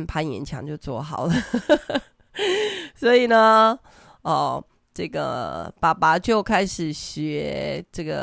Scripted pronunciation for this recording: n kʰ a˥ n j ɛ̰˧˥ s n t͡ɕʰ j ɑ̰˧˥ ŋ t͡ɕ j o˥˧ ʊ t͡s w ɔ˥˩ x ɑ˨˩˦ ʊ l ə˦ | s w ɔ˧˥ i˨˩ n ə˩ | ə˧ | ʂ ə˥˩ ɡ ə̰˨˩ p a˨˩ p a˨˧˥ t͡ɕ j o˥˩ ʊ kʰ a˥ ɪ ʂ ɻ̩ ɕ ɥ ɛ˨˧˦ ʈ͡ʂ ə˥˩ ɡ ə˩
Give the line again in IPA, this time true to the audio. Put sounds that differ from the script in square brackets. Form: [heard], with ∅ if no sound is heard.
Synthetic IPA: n [pʰ] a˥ n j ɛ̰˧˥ [∅] n t͡ɕʰ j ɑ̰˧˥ ŋ t͡ɕ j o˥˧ ʊ t͡s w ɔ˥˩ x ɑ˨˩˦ ʊ l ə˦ | s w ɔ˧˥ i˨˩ n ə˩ | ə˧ | [ʈ͡ʂ] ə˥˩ ɡ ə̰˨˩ p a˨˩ p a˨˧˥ t͡ɕ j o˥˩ ʊ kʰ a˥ ɪ ʂ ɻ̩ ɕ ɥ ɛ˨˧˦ ʈ͡ʂ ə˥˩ ɡ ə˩